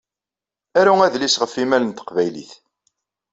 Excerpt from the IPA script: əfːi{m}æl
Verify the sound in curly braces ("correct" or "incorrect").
correct